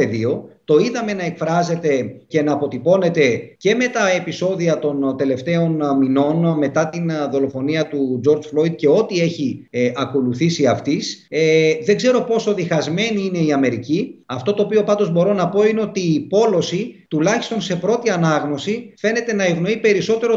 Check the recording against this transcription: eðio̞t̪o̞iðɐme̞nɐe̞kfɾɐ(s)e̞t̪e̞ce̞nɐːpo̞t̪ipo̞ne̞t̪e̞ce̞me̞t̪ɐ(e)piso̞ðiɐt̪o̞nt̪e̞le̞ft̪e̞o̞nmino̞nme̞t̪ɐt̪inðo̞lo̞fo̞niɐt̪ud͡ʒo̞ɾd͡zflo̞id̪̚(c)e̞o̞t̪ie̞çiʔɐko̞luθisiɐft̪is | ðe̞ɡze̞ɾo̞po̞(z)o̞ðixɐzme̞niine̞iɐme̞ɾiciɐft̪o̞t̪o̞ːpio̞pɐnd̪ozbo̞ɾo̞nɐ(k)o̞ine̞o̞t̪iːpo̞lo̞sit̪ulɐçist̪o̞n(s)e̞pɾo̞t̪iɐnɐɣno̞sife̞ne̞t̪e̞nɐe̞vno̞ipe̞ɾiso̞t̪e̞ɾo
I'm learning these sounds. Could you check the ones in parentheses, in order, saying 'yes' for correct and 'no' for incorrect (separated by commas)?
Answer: no, yes, yes, no, no, yes